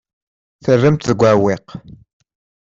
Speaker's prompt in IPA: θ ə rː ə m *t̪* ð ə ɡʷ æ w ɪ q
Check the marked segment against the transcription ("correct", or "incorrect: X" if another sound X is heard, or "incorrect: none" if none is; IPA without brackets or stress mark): correct